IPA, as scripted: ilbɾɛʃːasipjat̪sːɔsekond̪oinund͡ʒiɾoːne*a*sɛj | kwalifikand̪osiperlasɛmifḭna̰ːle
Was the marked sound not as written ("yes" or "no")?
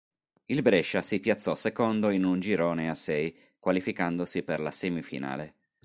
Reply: no